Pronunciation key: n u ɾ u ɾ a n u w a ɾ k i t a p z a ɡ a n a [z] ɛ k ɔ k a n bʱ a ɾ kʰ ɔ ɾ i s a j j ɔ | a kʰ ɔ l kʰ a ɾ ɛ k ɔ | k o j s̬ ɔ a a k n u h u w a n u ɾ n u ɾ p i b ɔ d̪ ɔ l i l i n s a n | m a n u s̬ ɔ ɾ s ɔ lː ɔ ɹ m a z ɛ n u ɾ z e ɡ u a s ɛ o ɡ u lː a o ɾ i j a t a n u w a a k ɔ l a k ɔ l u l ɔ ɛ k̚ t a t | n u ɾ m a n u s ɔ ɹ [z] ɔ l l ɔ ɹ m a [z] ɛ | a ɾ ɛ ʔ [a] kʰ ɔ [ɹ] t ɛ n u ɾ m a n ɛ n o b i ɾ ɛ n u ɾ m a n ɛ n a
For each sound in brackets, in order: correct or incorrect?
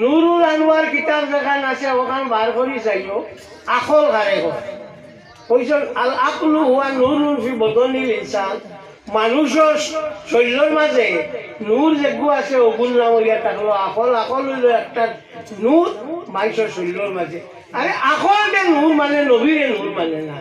incorrect, incorrect, correct, correct, incorrect

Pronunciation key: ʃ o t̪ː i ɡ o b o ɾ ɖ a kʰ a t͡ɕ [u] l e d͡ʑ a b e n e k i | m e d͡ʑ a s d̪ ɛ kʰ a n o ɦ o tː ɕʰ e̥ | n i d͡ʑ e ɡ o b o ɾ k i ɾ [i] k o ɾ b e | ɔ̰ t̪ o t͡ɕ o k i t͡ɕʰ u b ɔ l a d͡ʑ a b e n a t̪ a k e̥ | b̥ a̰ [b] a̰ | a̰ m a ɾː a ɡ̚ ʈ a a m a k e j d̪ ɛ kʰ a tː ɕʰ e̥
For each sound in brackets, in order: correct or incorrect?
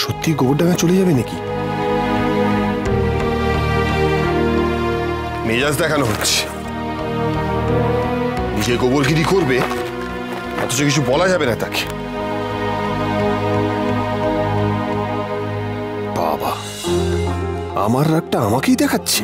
incorrect, correct, correct

